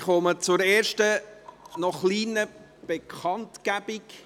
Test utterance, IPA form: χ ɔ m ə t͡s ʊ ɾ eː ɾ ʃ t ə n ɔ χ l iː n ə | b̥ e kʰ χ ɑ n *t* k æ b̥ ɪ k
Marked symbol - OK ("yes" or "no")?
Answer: yes